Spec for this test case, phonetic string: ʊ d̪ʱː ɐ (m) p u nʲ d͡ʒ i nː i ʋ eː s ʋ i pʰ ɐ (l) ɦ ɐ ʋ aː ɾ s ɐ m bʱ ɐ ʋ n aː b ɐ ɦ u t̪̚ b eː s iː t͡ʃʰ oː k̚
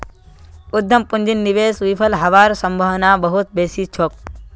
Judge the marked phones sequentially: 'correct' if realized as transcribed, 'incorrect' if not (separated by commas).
correct, correct